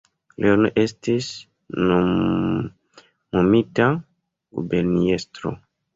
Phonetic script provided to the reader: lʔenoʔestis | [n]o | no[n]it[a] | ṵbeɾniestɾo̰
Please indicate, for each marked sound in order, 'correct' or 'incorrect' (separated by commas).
correct, incorrect, correct